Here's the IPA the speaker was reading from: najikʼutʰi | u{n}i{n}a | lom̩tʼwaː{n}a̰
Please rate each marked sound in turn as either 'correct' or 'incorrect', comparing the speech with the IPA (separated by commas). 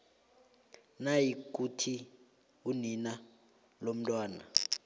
correct, correct, correct